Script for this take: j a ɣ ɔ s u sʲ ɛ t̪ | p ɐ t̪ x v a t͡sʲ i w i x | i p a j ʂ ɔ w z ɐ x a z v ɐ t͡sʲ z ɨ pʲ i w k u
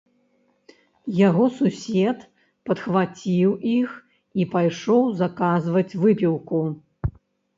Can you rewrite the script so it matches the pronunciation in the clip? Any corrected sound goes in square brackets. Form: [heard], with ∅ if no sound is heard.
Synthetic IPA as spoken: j a ɣ ɔ s u sʲ ɛ t̪ | p ɐ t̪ x v a t͡sʲ i w i x | i p a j ʂ ɔ w z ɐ [k] a z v ɐ t͡sʲ [v] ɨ pʲ i w k u